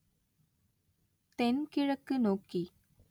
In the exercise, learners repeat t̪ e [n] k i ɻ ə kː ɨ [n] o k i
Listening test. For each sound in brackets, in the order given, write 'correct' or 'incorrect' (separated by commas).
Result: correct, correct